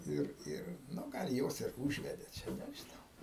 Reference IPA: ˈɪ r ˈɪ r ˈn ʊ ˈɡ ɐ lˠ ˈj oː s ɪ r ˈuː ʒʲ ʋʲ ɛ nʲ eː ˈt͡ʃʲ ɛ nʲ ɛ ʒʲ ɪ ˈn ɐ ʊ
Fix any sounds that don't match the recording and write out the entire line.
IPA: ˈɪ r ˈɪ r ˈn ʊ ˈɡ ɐ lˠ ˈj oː s ɪ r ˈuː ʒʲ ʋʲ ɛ dʲ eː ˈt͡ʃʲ ɛ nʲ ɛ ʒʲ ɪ ˈn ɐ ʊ